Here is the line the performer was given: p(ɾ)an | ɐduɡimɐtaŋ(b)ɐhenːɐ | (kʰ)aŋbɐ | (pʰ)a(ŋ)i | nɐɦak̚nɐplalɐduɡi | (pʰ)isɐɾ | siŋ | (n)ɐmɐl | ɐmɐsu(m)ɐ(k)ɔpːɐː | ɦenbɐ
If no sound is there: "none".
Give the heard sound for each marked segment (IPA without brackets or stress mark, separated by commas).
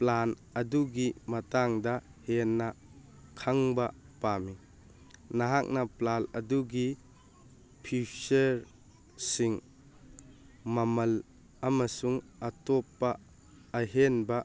l, d, kʰ, p, m, pʰ, m, ŋ, t